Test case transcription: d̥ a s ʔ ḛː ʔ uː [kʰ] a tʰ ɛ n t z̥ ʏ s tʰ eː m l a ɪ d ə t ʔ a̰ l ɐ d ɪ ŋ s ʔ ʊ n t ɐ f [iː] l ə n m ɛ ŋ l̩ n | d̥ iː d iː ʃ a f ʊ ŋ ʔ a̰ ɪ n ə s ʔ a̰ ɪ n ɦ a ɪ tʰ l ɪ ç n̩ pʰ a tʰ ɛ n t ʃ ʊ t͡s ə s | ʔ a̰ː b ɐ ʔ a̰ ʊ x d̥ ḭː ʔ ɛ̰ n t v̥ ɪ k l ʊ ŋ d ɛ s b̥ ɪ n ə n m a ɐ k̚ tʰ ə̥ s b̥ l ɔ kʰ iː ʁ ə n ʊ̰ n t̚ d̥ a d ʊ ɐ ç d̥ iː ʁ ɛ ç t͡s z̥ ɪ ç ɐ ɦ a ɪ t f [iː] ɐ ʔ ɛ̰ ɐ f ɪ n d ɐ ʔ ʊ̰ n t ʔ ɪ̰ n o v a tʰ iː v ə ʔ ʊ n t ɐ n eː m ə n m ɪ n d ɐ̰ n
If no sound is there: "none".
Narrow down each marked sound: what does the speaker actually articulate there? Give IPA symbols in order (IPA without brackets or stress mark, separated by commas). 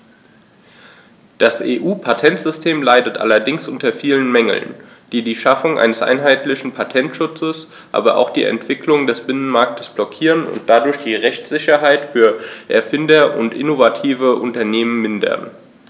pʰ, iː, yː